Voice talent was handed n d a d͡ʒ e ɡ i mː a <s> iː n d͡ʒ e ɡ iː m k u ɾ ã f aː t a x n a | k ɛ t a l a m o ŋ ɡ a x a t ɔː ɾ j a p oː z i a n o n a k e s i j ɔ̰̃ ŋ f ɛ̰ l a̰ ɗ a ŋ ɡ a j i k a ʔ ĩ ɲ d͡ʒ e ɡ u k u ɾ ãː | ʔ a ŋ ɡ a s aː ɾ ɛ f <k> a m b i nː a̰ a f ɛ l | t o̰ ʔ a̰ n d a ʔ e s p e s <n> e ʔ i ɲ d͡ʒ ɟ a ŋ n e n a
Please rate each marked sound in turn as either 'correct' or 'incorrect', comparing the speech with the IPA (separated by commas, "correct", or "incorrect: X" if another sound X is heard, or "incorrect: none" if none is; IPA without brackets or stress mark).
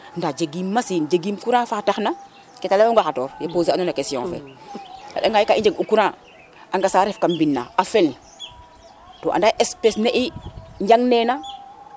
correct, correct, correct